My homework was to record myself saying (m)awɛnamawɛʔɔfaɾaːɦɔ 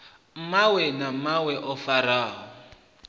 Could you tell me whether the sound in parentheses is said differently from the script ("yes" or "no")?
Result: no